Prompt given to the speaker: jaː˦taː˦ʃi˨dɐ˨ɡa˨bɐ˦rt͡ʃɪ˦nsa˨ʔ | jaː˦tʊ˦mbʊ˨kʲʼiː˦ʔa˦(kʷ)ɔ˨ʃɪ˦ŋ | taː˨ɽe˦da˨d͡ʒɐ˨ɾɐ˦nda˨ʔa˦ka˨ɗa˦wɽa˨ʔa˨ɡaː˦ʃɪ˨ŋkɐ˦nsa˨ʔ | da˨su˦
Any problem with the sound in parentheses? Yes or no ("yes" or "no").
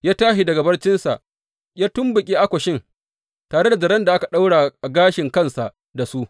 no